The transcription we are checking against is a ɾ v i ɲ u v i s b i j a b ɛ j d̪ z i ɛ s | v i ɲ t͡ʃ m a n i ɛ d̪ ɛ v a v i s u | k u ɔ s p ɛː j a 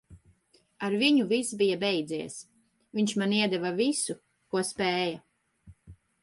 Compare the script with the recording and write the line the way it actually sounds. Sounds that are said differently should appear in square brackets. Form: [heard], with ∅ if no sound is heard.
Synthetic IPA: a ɾ v i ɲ u v i s b i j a b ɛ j d̪ z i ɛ s | v i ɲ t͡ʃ m a n i ɛ d̪ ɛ v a v i s u | k u ɔ s p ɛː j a